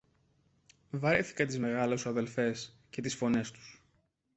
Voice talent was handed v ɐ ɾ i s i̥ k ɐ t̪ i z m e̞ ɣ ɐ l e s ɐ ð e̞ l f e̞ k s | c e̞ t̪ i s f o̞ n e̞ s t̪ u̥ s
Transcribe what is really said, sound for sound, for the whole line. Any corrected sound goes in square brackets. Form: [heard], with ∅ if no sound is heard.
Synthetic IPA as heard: v ɐ ɾ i [θ] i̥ k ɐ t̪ i z m e̞ ɣ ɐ l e s ɐ ð e̞ l f e̞ [∅] s | c e̞ t̪ i s f o̞ n e̞ s t̪ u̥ s